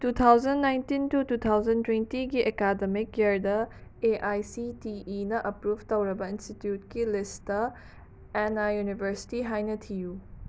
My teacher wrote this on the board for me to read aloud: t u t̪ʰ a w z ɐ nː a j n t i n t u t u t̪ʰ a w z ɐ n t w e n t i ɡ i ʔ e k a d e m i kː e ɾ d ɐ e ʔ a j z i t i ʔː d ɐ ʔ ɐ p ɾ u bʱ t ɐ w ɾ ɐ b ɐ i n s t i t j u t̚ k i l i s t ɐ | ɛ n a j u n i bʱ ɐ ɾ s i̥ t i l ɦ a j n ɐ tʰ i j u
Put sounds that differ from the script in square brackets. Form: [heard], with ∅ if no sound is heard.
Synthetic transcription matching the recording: t u t̪ʰ a w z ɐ nː a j n t i n t u t u t̪ʰ a w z ɐ n t w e n t i ɡ i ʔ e k a d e m i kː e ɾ d ɐ e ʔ a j [s] i t i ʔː [n] ɐ ʔ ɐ p ɾ u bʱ t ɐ w ɾ ɐ b ɐ i n s t i t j u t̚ k i l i s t ɐ | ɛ n a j u n i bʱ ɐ ɾ s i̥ t i [∅] ɦ a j n ɐ tʰ i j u